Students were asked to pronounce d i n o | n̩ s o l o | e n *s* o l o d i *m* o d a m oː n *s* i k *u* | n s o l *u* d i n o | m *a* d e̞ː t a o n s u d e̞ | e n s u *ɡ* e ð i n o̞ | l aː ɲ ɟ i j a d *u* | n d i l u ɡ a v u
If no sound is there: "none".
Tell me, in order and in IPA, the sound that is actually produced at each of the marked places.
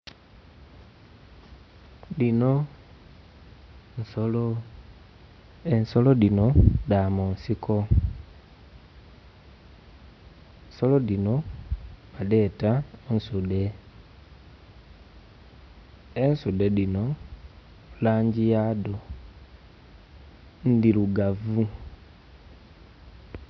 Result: s, n, s, o, o, a, d, o

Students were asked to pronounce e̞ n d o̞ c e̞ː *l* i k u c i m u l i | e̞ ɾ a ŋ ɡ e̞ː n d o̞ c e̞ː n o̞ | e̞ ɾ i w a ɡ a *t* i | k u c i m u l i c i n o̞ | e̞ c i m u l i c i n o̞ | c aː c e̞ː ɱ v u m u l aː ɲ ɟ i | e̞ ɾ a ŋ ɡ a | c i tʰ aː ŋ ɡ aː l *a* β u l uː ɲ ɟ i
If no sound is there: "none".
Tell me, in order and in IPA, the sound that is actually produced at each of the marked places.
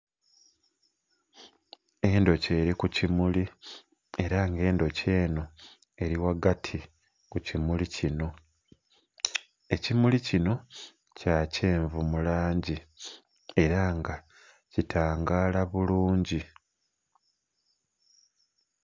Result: ɾ, tʰ, a

